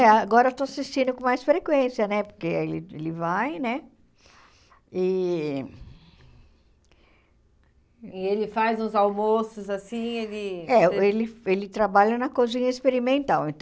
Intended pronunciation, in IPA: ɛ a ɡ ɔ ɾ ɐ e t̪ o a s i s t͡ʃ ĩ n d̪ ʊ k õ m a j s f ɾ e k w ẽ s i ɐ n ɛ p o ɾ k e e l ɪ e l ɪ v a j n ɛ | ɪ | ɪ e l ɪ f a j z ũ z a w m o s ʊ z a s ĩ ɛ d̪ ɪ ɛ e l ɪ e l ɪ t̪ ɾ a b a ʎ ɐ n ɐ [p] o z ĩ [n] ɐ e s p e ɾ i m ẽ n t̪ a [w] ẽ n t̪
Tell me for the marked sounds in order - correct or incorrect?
incorrect, incorrect, correct

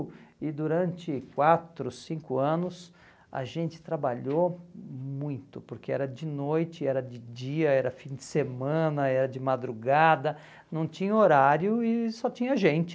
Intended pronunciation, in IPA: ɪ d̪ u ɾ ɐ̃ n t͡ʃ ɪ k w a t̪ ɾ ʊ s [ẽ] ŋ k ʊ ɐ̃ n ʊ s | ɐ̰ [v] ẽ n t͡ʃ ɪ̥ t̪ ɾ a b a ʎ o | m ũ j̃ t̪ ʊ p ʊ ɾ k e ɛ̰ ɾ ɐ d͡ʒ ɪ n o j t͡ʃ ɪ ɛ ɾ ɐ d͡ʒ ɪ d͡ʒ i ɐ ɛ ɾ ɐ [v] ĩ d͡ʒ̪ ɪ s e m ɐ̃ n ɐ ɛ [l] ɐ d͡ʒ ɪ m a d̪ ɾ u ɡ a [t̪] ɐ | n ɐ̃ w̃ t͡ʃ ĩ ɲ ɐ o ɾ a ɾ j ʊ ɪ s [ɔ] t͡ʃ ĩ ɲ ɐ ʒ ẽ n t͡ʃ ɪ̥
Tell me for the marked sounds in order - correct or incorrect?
incorrect, incorrect, incorrect, incorrect, incorrect, correct

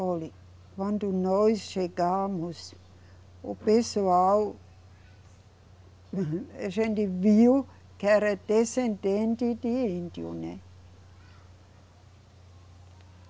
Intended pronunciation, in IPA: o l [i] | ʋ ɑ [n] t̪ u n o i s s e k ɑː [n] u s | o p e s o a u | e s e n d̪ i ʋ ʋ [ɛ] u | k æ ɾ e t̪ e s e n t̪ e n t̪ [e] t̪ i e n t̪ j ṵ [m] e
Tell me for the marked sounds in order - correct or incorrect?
correct, correct, incorrect, incorrect, incorrect, incorrect

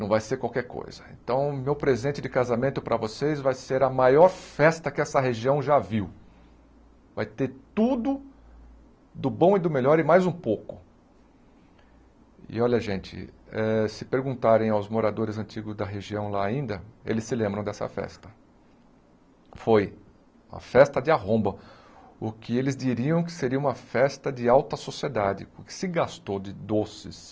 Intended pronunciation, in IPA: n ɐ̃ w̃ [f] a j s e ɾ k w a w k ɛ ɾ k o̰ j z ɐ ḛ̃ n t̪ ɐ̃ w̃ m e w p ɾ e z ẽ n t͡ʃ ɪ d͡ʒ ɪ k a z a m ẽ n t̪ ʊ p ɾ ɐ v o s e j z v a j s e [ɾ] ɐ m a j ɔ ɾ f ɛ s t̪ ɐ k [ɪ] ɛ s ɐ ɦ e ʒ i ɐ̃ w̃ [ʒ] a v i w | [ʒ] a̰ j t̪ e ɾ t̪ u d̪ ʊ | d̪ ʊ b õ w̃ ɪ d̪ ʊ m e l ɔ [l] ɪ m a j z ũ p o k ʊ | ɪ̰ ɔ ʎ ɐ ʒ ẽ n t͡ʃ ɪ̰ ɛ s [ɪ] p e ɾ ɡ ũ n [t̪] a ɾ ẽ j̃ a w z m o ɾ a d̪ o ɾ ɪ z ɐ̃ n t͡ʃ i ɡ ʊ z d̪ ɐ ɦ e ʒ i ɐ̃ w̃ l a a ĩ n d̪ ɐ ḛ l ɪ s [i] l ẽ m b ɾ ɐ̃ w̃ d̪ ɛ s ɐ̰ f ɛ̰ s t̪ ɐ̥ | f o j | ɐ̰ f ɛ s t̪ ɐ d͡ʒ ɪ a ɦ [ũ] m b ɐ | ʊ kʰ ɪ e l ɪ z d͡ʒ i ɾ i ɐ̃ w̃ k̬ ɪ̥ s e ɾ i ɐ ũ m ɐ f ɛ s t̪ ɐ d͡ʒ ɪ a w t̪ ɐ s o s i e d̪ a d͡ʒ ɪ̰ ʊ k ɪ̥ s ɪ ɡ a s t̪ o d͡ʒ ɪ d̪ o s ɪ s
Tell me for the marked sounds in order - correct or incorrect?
incorrect, correct, correct, correct, incorrect, incorrect, correct, correct, incorrect, incorrect

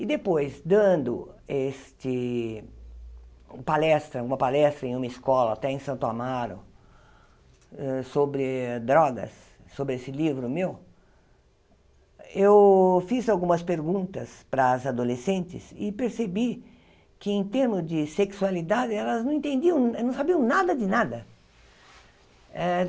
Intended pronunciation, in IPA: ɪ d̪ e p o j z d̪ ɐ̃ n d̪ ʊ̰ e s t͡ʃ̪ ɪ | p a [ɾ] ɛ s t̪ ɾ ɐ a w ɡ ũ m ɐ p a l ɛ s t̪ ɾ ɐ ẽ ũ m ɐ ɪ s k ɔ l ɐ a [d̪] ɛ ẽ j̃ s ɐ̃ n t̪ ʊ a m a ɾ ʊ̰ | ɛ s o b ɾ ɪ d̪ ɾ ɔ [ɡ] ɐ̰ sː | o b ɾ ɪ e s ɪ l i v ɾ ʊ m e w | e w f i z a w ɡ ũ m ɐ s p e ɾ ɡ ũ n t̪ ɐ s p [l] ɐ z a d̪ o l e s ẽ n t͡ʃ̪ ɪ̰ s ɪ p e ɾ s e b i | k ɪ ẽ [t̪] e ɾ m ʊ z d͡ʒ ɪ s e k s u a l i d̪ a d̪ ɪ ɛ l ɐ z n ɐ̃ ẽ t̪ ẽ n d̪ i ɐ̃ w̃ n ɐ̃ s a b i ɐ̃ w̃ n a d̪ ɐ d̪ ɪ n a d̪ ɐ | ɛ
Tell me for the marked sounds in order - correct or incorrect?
incorrect, incorrect, correct, incorrect, correct

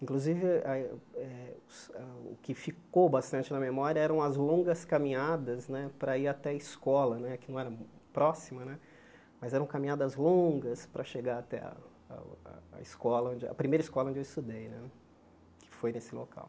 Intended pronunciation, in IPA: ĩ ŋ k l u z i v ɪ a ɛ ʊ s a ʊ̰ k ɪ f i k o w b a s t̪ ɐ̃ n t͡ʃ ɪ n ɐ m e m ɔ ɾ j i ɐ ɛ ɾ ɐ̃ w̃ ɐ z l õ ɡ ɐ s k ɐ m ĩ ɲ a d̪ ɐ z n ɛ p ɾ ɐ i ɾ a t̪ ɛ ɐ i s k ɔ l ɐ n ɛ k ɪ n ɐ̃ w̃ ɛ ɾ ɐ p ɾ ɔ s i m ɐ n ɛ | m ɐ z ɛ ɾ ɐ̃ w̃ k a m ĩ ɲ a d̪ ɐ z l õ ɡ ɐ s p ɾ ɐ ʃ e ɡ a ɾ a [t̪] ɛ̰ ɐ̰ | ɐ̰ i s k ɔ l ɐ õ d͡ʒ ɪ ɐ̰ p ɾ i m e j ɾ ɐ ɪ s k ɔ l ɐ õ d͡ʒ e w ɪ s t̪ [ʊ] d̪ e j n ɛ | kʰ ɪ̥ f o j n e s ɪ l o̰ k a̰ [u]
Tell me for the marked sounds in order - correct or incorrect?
correct, incorrect, incorrect

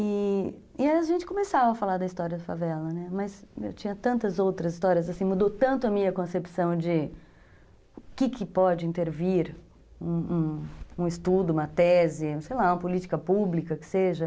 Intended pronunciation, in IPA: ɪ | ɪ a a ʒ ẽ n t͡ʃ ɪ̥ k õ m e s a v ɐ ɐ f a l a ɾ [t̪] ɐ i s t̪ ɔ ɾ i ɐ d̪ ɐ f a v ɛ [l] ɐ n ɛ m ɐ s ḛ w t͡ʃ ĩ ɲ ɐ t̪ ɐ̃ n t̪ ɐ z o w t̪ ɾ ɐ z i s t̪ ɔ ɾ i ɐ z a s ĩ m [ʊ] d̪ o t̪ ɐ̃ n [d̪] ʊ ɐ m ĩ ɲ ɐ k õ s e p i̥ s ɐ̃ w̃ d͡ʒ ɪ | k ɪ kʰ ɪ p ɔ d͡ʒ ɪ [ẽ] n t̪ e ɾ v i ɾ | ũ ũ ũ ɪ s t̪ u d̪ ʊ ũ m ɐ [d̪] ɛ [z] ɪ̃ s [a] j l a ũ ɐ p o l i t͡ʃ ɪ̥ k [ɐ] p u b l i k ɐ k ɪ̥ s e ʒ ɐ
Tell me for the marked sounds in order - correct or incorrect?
incorrect, correct, incorrect, incorrect, incorrect, incorrect, correct, incorrect, correct

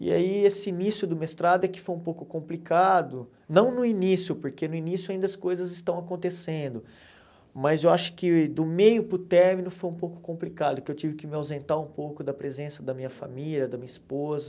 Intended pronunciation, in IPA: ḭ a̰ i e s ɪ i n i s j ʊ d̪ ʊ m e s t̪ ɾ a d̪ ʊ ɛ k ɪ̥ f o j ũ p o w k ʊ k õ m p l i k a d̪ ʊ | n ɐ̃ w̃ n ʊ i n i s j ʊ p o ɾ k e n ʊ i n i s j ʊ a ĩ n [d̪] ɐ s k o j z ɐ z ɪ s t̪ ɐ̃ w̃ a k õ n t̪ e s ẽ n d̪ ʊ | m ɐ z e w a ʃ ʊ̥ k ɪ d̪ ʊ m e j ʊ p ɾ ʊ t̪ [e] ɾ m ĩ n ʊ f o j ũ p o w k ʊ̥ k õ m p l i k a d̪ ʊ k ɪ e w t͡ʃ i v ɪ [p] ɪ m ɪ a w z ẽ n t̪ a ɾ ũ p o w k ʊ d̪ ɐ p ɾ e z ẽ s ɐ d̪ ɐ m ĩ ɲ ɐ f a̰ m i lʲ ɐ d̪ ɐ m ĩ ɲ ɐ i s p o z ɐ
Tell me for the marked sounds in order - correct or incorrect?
correct, incorrect, incorrect

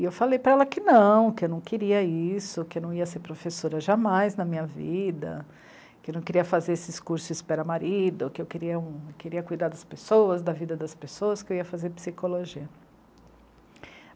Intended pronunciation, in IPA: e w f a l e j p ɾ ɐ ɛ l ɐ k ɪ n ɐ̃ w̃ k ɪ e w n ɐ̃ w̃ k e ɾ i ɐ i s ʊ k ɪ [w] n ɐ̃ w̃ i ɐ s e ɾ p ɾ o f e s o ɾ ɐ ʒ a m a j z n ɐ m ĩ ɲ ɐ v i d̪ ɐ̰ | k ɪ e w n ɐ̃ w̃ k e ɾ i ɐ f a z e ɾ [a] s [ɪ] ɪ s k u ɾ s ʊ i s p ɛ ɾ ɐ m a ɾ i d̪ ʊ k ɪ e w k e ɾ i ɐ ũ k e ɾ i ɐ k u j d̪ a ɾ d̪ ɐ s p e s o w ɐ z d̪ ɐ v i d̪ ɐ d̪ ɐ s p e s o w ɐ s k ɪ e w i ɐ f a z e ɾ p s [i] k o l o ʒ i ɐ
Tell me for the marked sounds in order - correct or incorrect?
correct, incorrect, correct, correct

